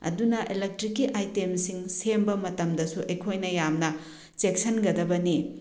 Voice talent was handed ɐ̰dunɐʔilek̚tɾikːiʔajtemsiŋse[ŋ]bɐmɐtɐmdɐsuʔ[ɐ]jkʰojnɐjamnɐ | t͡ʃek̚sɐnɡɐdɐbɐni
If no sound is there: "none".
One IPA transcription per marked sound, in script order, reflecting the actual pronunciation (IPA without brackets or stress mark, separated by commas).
m, ɐ